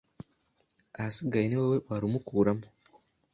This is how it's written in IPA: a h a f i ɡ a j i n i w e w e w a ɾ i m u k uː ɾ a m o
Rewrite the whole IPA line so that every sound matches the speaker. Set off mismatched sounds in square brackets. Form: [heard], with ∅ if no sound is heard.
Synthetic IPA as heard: a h a [s] i ɡ a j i n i w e w e w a ɾ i m u k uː ɾ a m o